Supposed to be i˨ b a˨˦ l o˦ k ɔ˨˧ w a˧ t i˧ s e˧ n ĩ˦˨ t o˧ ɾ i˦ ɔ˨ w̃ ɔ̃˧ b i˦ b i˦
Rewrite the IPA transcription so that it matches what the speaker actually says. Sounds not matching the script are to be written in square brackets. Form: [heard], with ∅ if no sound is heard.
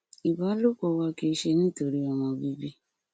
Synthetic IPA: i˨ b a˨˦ l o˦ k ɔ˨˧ w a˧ [k] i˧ [ʃ] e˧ n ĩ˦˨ t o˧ ɾ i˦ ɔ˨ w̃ ɔ̃˧ b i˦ b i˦